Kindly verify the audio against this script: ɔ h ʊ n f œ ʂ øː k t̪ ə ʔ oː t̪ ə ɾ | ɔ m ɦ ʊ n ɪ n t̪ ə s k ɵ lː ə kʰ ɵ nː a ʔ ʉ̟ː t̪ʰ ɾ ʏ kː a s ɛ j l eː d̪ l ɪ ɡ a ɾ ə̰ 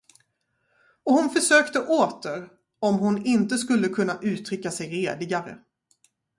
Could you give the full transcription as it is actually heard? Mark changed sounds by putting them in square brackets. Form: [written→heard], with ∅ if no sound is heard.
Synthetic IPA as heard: ɔ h ʊ n f œ ʂ øː k t̪ ə ʔ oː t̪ ə ɾ | ɔ m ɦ ʊ n ɪ n t̪ ə s k ɵ lː ə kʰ ɵ nː a ʔ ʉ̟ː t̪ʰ ɾ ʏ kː a s ɛ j [l→ɾ] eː d̪ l ɪ ɡ a ɾ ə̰